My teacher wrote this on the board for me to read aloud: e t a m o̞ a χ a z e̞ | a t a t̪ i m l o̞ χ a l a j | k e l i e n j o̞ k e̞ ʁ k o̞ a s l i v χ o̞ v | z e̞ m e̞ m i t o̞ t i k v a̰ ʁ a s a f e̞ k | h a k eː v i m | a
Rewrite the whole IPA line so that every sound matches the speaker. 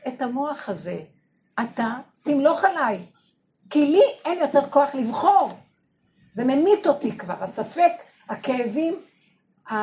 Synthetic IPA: e t a m o̞ a χ a z e̞ | a t a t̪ i m l o̞ χ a l a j | k i l i e n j o̞ t e̞ ʁ k o̞ a χ l i v χ o̞ ʁ | z e̞ m e̞ m i t o̞ t i k v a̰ ʁ a s a f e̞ k | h a k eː v i m | a